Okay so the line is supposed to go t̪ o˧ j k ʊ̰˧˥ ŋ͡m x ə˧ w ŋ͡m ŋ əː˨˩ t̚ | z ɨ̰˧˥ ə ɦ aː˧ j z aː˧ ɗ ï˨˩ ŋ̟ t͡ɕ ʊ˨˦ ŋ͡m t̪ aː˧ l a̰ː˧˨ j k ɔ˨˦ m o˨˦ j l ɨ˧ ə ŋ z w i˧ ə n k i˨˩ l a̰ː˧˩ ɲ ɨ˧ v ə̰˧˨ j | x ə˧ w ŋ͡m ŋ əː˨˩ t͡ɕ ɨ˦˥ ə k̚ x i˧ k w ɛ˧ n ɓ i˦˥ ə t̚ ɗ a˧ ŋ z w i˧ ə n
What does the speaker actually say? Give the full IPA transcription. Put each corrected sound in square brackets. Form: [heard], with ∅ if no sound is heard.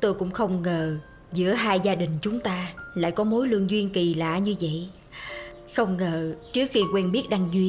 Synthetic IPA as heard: t̪ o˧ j k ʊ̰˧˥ ŋ͡m x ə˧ w ŋ͡m ŋ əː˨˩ [∅] | z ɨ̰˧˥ ə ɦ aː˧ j z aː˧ ɗ ï˨˩ ŋ̟ t͡ɕ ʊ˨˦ ŋ͡m t̪ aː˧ l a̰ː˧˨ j k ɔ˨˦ m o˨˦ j l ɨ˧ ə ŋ z w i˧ ə n k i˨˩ l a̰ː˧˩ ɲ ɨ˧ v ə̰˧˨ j | x ə˧ w ŋ͡m ŋ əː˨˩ t͡ɕ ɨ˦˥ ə k̚ x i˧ k w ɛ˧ n ɓ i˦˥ ə t̚ ɗ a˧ ŋ z w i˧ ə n